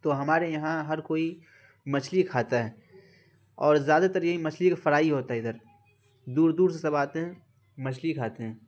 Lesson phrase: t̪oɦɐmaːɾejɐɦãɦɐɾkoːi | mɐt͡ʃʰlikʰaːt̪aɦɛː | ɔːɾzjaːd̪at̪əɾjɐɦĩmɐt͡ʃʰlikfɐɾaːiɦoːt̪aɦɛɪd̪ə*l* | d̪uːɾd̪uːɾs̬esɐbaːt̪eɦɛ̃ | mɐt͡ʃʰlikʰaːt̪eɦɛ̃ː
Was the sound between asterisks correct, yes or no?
no